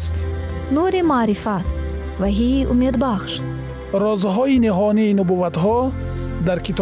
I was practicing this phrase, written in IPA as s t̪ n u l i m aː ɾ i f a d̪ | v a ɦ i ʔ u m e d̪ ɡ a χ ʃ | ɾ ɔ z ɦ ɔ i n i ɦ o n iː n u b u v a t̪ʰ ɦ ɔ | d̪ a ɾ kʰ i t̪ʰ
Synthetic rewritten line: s t̪ n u ɾ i m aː ɾ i f a t̪ | v a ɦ i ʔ u m e d̪ b a χ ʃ | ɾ ɔ z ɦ ɔ i n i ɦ ɔ n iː n u b u v a t̪ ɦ ɔ | d̪ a ɾ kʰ i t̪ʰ